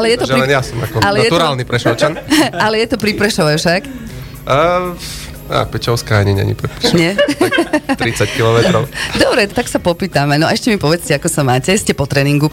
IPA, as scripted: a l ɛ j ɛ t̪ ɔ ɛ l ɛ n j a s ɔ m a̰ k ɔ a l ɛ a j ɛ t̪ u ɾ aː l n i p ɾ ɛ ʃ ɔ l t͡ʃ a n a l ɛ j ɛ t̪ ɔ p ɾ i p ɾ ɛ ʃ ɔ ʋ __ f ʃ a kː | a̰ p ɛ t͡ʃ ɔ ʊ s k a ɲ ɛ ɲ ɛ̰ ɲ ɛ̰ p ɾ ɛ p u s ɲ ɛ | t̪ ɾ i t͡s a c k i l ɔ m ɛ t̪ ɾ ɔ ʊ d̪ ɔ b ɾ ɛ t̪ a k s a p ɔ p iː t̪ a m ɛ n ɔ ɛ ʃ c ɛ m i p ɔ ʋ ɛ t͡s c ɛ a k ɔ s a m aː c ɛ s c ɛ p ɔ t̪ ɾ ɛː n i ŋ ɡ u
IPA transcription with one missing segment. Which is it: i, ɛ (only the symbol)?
ɛ